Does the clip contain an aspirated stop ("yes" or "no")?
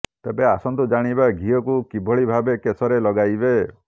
no